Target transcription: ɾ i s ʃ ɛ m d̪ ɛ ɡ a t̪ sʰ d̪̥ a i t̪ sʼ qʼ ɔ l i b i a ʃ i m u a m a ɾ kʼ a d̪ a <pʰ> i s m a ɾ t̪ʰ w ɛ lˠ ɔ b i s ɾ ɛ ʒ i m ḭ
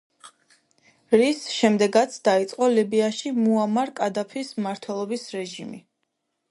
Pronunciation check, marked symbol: correct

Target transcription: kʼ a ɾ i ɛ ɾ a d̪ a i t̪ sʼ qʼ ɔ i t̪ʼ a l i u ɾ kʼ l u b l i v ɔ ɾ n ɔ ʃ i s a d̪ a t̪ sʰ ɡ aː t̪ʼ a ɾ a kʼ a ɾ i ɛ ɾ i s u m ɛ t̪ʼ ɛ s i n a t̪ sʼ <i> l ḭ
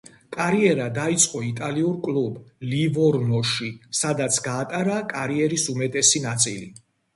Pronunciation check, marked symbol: correct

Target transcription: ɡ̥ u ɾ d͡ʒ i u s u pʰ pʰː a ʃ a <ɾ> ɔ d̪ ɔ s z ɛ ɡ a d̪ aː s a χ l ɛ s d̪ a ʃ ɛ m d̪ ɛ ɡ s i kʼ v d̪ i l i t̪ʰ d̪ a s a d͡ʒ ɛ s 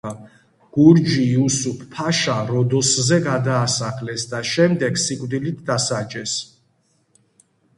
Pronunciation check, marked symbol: correct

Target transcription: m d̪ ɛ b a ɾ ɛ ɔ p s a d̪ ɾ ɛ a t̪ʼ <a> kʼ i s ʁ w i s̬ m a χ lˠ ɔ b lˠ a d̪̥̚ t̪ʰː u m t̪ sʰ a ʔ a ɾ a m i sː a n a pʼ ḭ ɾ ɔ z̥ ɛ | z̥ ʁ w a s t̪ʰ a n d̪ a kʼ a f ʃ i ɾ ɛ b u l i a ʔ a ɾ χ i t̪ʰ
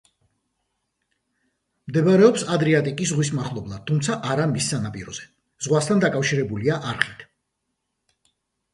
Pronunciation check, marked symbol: incorrect: i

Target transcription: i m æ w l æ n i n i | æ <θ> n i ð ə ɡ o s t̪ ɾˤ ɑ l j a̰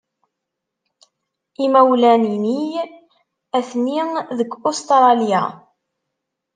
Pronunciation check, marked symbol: correct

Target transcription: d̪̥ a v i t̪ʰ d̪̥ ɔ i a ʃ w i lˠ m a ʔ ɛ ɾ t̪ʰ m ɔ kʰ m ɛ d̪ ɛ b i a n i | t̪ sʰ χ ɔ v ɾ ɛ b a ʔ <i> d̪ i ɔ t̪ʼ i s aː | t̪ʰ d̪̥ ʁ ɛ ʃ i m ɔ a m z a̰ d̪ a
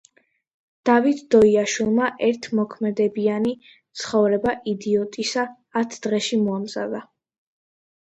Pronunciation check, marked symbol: correct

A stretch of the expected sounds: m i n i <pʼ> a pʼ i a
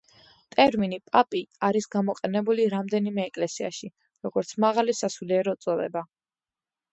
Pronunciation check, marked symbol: correct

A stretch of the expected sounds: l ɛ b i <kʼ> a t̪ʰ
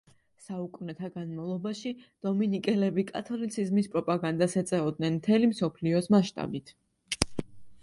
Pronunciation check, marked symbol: correct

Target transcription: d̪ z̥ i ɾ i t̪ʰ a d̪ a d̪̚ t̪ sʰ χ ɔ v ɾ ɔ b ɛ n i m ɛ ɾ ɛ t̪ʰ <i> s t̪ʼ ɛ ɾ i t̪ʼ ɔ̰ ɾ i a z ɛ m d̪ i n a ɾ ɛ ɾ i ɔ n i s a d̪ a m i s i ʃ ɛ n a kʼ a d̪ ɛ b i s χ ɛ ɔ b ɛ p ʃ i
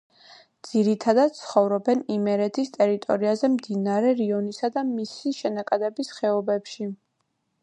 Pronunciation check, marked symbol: correct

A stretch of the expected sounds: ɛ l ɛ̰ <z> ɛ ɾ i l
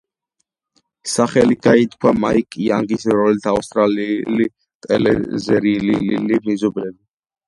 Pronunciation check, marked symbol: correct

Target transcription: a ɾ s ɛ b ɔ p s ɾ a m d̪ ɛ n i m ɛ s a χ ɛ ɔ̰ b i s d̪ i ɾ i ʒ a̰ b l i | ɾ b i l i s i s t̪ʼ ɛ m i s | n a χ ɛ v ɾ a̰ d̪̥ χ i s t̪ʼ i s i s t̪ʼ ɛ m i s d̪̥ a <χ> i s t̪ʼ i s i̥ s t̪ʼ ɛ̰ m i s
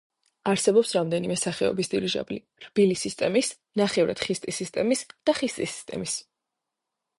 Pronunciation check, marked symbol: correct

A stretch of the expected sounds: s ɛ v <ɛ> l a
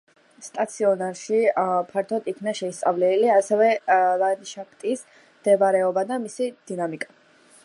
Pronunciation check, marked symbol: correct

